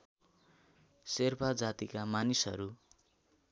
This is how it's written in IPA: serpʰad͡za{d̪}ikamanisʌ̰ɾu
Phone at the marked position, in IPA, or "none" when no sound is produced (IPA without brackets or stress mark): t̪